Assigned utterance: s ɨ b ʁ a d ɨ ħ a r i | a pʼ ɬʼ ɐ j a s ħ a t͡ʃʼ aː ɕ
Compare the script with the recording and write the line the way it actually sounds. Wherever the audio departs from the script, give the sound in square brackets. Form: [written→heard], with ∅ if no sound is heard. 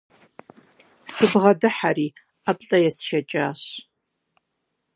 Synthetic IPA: s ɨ b ʁ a d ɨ ħ a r i | a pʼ ɬʼ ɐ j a s [ħ→ʃ] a t͡ʃʼ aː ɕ